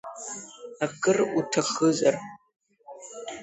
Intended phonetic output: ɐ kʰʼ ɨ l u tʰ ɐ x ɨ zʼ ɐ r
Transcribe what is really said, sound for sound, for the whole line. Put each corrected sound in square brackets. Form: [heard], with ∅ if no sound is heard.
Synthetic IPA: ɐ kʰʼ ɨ [r] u tʰ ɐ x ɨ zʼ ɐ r